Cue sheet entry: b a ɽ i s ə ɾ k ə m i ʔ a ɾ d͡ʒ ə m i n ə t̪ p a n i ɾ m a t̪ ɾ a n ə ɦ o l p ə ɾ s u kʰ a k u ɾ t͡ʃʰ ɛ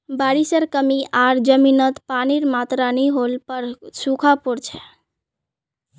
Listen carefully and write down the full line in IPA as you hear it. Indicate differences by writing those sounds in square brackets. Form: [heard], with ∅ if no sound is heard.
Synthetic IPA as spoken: b a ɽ i s ə ɾ k ə m i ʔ a ɾ d͡ʒ ə m i n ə t̪ p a n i ɾ m a t̪ ɾ a n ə ɦ o l p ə ɾ s u kʰ a [p] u ɾ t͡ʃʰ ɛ